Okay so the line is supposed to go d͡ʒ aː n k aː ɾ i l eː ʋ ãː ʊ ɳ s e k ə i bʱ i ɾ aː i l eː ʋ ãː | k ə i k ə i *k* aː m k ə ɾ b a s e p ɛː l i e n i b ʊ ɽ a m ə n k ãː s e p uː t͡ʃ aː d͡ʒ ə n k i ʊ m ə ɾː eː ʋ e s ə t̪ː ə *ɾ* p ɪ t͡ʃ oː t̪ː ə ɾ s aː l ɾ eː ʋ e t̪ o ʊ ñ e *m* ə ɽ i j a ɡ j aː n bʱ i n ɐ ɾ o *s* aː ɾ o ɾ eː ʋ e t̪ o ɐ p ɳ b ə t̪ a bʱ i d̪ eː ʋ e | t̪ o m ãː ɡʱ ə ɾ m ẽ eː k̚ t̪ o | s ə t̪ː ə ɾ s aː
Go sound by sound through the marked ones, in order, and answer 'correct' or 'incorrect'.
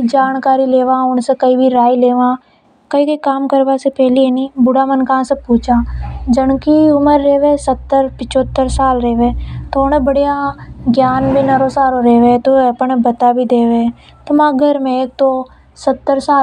correct, correct, incorrect: b, correct

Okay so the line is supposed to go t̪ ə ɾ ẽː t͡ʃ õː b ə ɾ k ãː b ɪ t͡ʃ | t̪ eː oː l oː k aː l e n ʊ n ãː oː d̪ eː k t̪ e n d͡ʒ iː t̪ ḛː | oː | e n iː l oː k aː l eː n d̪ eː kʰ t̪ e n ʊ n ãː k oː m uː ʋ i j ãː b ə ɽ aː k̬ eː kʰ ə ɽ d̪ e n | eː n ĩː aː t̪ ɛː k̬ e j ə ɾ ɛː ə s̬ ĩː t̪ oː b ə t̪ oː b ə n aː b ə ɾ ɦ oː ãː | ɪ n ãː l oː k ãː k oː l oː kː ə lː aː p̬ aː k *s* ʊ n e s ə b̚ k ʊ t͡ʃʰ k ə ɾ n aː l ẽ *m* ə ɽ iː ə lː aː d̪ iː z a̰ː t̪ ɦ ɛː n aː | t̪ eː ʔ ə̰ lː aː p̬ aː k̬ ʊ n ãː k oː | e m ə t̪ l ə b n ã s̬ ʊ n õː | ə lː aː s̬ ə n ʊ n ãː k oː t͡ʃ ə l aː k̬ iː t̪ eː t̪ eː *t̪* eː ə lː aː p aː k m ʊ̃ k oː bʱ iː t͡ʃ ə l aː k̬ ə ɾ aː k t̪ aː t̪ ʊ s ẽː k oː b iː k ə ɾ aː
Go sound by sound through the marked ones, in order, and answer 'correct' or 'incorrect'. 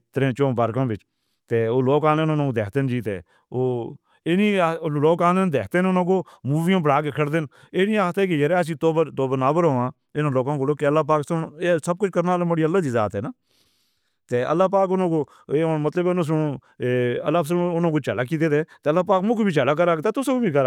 correct, correct, correct

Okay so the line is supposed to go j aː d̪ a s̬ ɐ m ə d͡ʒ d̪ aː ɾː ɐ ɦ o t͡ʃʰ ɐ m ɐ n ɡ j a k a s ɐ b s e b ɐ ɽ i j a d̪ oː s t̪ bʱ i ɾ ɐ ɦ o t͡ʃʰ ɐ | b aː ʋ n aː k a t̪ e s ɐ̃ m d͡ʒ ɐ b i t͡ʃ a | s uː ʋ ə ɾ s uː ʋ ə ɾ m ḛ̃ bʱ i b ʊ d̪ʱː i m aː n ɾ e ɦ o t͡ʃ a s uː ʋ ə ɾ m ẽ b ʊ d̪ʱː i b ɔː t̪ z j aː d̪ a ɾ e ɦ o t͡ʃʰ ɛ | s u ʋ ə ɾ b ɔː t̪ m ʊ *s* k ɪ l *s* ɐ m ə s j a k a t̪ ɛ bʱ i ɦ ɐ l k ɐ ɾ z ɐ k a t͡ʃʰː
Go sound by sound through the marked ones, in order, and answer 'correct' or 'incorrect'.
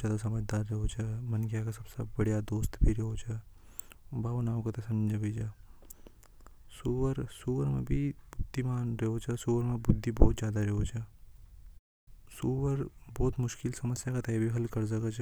incorrect: ʃ, correct

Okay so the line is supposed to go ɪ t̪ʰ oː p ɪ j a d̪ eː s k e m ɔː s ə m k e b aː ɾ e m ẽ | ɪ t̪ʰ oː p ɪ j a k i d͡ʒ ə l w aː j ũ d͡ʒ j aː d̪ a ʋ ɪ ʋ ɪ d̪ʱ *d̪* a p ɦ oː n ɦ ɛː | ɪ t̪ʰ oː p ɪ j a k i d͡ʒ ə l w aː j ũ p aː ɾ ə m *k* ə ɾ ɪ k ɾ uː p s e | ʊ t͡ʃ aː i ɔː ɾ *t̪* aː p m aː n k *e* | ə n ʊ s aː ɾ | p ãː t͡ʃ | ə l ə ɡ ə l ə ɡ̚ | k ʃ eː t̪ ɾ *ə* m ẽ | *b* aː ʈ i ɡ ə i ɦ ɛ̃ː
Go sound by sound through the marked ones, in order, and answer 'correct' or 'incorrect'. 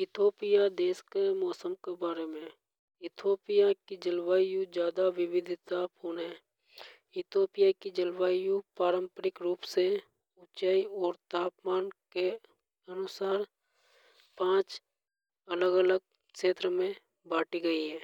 incorrect: t̪, incorrect: p, correct, correct, correct, correct

